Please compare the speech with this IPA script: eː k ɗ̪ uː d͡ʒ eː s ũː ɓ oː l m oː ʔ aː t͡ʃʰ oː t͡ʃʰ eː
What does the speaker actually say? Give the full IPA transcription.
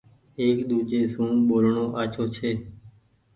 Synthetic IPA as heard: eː k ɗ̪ uː d͡ʒ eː s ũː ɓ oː l ɳ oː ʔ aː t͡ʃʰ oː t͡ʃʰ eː